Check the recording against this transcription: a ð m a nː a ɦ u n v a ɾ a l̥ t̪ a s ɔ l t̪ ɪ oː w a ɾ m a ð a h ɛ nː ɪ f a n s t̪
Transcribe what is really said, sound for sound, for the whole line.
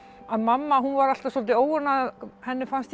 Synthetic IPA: a ð m a mː a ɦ u n v a ɾ a l̥ t̪ a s ɔ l t̪ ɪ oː w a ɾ n a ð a h ɛ nː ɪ f a n s t̪